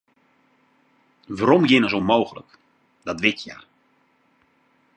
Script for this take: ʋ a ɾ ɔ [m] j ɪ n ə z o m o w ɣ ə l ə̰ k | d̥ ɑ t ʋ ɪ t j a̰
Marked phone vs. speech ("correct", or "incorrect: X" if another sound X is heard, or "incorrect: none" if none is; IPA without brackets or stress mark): correct